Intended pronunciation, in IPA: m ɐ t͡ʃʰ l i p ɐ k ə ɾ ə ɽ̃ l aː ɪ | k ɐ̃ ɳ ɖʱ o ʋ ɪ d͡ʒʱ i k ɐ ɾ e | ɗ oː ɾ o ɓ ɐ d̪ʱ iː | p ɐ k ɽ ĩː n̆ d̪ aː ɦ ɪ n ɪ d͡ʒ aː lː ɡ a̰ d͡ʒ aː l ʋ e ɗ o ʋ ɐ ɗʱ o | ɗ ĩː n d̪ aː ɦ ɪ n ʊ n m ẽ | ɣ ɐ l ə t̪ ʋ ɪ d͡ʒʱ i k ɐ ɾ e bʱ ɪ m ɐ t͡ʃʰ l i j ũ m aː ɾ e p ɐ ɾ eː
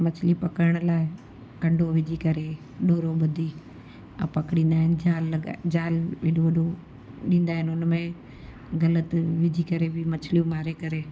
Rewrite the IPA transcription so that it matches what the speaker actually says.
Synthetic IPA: m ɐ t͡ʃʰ l i p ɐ k ə ɾ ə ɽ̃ l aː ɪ | k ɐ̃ ɳ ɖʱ o ʋ ɪ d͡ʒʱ i k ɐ ɾ e | ɗ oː ɾ o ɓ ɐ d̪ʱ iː | p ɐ k ɽ ĩː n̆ d̪ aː ɦ ɪ n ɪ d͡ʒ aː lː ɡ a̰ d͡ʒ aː l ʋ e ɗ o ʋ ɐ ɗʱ o | ɗ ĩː n d̪ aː ɦ ɪ n ʊ n m ẽ | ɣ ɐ l ə t̪ ʋ ɪ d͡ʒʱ i k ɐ ɾ e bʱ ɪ m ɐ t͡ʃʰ l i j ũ m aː ɾ e k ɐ ɾ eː